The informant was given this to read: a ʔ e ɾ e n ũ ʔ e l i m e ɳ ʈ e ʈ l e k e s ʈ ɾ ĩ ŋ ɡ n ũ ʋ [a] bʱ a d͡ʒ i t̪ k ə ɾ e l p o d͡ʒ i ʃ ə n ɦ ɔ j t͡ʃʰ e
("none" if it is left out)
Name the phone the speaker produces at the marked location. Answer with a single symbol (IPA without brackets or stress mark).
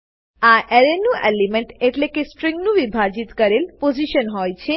i